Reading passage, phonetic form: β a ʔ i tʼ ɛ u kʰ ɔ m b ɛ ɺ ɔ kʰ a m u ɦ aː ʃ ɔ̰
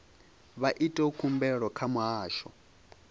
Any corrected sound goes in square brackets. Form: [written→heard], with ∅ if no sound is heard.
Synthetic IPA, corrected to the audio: β a ʔ i tʼ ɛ u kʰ [ɔ→u] m b ɛ ɺ ɔ kʰ a m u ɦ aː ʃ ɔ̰